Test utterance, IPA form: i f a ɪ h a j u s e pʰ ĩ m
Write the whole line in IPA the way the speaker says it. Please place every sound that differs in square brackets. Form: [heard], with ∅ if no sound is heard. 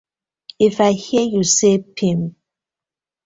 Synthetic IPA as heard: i f a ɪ h [i] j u s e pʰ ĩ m